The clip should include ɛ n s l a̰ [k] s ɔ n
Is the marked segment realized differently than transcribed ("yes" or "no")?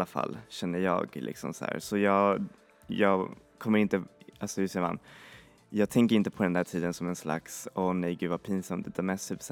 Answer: no